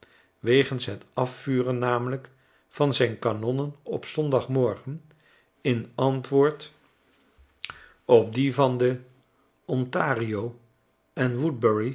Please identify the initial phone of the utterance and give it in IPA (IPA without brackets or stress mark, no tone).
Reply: ʋ